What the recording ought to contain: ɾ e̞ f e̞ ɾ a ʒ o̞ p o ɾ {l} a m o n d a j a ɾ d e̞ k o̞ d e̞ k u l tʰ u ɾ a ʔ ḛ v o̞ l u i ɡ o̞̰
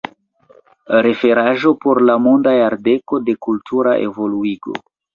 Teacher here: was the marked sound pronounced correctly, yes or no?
yes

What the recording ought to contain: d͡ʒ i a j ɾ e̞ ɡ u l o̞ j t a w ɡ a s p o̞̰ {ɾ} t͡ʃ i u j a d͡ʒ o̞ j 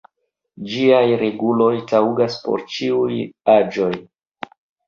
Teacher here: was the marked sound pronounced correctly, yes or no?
yes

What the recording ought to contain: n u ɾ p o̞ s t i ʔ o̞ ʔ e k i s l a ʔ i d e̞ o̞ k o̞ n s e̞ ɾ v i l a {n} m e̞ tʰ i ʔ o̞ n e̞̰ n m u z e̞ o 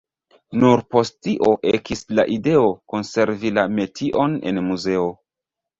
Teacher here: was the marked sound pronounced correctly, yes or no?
no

